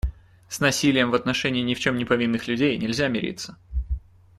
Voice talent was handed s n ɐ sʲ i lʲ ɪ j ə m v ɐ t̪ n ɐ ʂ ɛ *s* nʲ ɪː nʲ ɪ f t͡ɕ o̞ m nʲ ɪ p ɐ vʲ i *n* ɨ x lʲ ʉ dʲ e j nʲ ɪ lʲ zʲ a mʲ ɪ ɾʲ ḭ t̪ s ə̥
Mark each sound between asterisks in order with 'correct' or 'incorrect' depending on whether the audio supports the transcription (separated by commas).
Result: incorrect, incorrect